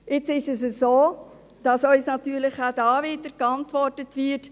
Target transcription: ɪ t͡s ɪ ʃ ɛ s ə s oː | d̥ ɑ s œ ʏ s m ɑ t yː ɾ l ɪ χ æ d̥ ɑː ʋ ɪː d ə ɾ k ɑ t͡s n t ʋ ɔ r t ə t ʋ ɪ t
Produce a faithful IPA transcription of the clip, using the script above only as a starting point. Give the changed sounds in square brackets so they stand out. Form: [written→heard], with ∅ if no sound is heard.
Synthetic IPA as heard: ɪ t͡s ɪ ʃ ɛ s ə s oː | d̥ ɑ s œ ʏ s [m→n] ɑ t yː ɾ l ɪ χ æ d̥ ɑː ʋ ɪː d ə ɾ k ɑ [t͡s→∅] n t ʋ ɔ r t ə t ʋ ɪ t